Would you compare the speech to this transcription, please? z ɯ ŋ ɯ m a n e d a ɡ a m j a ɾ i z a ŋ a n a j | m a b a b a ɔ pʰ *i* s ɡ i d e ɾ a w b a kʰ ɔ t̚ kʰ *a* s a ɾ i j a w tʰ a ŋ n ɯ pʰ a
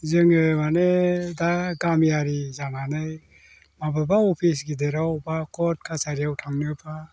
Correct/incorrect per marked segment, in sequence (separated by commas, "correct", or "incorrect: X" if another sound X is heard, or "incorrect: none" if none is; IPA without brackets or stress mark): correct, correct